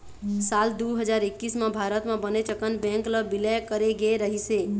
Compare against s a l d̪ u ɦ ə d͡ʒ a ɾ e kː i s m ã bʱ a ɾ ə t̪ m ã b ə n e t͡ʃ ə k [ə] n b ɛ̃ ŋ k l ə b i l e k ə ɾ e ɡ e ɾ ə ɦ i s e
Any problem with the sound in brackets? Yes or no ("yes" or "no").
no